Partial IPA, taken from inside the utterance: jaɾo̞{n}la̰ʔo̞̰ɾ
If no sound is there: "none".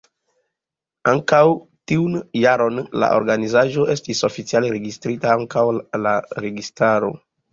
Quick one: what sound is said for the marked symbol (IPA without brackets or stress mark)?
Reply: n